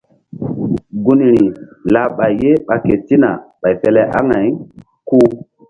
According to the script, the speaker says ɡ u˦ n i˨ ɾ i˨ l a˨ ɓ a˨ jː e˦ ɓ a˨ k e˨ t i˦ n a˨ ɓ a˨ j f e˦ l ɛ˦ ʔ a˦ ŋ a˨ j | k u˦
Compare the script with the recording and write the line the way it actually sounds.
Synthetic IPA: ɡ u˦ n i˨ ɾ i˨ l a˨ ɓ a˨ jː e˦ ɓ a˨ k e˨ t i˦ n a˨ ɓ a˨ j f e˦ l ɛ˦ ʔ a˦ ŋ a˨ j | k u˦